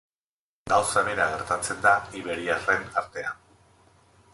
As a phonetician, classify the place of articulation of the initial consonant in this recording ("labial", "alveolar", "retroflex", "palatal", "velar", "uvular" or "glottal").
velar